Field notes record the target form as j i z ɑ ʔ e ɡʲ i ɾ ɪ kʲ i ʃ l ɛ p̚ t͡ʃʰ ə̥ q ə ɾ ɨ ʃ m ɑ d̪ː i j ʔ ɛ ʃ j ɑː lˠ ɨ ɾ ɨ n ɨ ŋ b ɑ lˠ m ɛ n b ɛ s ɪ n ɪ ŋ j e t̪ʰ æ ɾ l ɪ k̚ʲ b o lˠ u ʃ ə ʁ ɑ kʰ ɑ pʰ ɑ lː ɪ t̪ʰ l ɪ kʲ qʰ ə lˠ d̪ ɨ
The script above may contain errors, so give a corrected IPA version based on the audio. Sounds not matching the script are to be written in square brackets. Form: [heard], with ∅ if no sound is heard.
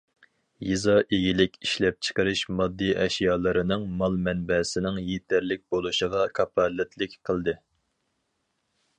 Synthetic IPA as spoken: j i z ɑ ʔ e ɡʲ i [l] ɪ kʲ i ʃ l ɛ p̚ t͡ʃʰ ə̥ q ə ɾ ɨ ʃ m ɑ d̪ː i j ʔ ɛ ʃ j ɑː lˠ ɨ ɾ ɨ n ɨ ŋ [m] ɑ lˠ m ɛ n b ɛ s ɪ n ɪ ŋ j e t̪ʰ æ ɾ l ɪ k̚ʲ b o lˠ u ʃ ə ʁ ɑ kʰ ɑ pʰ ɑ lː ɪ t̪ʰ l ɪ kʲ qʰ ə lˠ d̪ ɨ